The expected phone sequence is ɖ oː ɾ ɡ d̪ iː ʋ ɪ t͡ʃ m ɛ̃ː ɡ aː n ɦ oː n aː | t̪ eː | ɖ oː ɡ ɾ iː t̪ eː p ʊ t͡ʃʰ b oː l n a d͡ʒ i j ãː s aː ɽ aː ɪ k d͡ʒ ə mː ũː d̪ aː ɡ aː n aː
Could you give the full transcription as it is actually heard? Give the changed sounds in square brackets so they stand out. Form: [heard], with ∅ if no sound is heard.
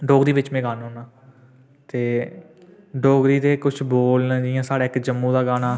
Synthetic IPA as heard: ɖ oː [∅] ɡ d̪ iː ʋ ɪ t͡ʃ m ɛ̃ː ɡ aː n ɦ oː n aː | t̪ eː | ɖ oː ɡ ɾ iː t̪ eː [k] ʊ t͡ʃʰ b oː l n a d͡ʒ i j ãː s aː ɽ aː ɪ k d͡ʒ ə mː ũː d̪ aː ɡ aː n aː